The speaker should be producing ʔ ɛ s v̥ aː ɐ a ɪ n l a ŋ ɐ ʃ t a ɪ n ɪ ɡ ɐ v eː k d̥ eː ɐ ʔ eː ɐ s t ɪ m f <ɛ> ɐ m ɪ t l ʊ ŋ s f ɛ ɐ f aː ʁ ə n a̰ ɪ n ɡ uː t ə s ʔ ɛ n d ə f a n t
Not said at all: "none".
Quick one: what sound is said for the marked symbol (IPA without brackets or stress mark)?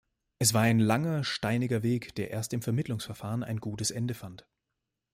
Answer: ɛ